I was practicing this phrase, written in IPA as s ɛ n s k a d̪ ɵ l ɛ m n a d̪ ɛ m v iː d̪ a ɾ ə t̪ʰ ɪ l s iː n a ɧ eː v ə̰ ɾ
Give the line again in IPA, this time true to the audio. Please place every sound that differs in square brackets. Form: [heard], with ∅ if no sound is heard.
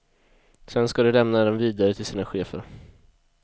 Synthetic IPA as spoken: s ɛ n s k a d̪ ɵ l ɛ m n a d̪ ɛ m v iː d̪ a ɾ ə t̪ʰ ɪ l s iː n a ɧ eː [f] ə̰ ɾ